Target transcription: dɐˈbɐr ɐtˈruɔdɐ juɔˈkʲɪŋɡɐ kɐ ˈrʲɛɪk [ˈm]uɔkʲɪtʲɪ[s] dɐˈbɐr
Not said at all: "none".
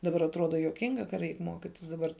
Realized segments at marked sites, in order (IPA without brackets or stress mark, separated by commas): m, s